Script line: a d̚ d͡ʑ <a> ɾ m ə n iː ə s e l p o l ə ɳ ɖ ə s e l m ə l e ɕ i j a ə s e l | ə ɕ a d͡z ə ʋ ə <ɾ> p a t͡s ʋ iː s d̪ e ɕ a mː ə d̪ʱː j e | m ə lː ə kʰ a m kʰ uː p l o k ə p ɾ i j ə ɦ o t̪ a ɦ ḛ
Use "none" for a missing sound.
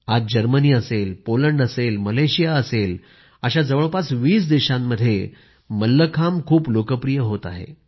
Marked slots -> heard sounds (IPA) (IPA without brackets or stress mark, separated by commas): ə, ɭ